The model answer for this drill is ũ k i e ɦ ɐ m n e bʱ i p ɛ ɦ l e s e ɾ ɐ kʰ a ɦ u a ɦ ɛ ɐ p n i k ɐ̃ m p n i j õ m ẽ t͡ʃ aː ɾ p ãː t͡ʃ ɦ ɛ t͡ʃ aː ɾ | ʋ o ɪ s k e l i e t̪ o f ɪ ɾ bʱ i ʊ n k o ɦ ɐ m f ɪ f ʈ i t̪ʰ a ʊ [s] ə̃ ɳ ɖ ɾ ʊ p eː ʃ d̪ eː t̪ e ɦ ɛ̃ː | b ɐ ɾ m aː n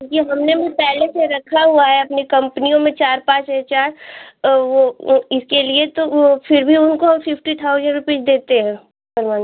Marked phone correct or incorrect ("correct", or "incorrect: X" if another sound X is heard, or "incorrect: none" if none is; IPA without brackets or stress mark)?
incorrect: z